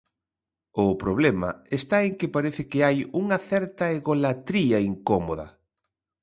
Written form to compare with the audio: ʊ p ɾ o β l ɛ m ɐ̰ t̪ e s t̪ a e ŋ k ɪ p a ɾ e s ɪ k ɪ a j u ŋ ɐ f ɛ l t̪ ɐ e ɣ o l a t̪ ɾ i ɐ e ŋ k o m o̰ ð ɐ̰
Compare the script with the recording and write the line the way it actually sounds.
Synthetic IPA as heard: ʊ p ɾ o β l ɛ m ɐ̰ e s t̪ a e ŋ k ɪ p a ɾ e θ ɪ k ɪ a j u ŋ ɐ θ ɛ ɾ t̪ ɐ e ɣ o l a t̪ ɾ i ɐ i ŋ k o m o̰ ð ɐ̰